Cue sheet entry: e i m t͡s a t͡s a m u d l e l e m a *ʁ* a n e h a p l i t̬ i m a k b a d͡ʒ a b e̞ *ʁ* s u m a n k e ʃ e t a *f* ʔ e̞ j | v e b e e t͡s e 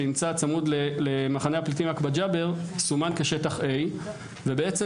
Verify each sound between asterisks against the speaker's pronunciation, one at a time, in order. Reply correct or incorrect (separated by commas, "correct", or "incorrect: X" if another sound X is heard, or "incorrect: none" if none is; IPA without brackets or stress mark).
incorrect: χ, correct, incorrect: χ